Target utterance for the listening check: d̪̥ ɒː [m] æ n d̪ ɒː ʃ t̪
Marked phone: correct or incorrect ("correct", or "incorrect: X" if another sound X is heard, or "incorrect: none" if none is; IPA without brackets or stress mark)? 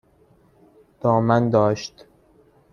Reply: correct